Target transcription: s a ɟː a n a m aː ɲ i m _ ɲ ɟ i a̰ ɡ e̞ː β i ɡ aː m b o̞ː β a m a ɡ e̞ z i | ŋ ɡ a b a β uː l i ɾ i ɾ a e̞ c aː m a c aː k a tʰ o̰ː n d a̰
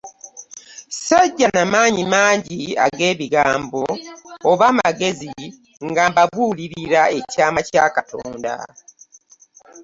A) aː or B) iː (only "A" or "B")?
A